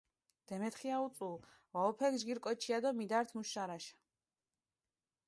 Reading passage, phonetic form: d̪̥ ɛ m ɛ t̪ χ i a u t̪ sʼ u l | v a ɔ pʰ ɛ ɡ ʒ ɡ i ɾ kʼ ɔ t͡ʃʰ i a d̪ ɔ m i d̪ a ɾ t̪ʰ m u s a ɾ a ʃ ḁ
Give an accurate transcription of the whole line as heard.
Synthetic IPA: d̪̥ ɛ m ɛ t̪ χ i a u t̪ sʼ u l | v a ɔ pʰ ɛ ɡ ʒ ɡ i ɾ kʼ ɔ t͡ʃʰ i a d̪ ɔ m i d̪ a ɾ t̪ʰ m u ʃ a ɾ a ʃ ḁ